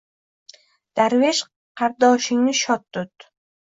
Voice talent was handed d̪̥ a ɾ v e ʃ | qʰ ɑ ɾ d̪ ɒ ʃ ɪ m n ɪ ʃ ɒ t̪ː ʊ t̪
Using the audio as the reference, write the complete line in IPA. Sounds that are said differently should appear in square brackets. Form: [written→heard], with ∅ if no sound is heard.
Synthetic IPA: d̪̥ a ɾ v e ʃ | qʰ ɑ ɾ d̪ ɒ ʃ ɪ [m→ŋ] n ɪ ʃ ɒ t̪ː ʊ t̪